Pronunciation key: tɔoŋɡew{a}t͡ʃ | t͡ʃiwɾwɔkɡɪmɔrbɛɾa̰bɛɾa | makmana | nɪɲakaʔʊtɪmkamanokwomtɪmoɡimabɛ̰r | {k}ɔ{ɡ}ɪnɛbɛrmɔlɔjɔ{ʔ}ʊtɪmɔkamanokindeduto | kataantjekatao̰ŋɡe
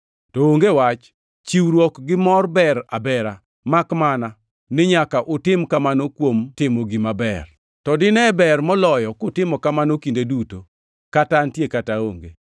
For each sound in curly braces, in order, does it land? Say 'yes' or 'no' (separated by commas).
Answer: yes, no, no, no